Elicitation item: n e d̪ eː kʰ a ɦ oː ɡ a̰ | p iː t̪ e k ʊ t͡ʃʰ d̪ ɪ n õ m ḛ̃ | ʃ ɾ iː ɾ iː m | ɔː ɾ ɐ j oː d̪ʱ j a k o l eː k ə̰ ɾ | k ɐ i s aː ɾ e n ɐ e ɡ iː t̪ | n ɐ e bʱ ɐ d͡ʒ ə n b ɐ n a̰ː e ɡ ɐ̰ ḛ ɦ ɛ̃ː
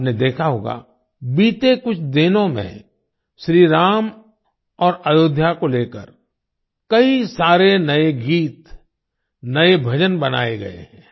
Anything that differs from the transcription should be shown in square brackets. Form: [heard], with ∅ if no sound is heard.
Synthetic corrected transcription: n e d̪ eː kʰ a ɦ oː ɡ a̰ | [b] iː t̪ e k ʊ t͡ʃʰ d̪ ɪ n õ m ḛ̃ | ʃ ɾ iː ɾ [aː] m | ɔː ɾ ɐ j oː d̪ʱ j a k o l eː k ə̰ ɾ | k ɐ i s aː ɾ e n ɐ e ɡ iː t̪ | n ɐ e bʱ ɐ d͡ʒ ə n b ɐ n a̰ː e ɡ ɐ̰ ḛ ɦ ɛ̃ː